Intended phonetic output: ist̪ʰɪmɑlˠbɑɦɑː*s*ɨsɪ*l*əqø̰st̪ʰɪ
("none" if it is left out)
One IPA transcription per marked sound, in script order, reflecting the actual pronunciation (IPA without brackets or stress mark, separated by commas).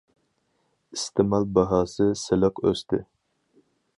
s, l